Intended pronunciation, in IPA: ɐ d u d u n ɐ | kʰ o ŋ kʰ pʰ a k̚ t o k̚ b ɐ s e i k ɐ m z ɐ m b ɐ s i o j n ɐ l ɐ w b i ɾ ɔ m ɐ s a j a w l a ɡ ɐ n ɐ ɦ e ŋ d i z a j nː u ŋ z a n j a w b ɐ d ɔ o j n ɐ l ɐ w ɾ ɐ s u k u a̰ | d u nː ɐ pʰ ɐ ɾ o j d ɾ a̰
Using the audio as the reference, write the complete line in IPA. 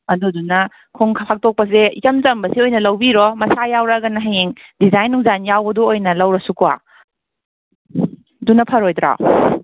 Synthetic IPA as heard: ɐ d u d u n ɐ | kʰ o ŋ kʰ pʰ a k̚ t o k̚ p ɐ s e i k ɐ m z ɐ m b ɐ s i o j n ɐ l ɐ w b i ɾ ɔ m ɐ s a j a w ɾ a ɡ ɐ n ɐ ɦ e ŋ d i z a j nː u ŋ z a n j a w b ɐ d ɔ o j n ɐ l ɐ w ɾ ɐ s u k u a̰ | d u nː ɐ pʰ ɐ ɾ o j d ɾ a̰

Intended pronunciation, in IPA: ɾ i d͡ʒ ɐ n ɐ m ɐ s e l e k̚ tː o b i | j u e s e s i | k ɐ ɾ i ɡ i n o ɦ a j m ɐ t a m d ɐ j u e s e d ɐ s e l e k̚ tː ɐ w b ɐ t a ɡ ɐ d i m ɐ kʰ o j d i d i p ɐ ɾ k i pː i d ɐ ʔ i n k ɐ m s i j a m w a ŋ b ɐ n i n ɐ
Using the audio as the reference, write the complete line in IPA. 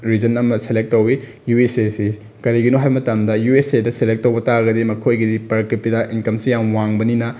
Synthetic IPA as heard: ɾ i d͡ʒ ɐ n ɐ m ɐ s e l e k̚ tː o w i | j u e s e s i | k ɐ ɾ i ɡ i n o ɦ a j m ɐ t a m d ɐ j u e s e d ɐ s e l e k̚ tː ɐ w b ɐ t a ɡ ɐ d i m ɐ kʰ o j ɡ i d i p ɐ ɾ k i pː i d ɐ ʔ i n k ɐ m s i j a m w a ŋ b ɐ n i n ɐ

